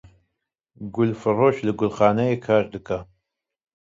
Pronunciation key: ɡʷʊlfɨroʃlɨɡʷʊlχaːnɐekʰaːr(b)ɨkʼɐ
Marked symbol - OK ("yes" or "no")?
no